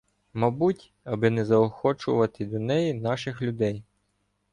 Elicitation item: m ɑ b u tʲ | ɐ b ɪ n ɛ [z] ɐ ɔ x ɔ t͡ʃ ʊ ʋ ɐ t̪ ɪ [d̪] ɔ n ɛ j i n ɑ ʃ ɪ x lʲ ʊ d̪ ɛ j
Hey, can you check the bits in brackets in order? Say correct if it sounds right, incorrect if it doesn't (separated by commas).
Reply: correct, correct